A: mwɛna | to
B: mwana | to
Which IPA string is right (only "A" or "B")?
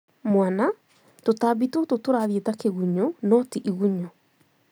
B